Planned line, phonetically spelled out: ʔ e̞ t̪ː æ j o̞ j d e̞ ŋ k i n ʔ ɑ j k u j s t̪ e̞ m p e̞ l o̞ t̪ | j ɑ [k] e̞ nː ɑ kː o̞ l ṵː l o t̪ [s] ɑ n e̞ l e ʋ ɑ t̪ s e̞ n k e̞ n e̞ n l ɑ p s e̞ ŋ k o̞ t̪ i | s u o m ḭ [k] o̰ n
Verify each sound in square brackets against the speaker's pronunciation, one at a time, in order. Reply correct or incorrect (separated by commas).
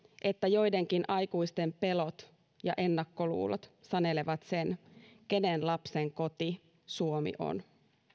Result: incorrect, correct, incorrect